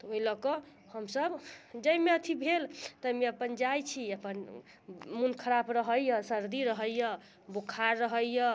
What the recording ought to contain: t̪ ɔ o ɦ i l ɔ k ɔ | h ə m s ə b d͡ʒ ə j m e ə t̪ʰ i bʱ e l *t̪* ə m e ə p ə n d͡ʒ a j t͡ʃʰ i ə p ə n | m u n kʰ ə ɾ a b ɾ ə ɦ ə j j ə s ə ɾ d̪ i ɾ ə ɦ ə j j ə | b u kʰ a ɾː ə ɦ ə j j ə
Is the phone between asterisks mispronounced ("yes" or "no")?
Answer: no